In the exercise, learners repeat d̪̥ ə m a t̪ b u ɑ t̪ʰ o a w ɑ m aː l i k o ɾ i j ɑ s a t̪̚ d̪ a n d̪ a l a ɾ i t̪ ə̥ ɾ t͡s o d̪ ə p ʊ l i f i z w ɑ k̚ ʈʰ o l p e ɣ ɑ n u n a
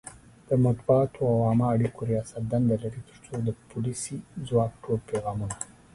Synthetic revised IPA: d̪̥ ə m a t̪ b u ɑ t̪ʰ o a w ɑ m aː ɽ i k o ɾ i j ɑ s a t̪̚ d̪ a n d̪ a l a ɾ i t̪ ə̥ ɾ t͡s o d̪ ə p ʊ l i s i z w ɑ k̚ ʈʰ o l p e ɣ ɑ m u n a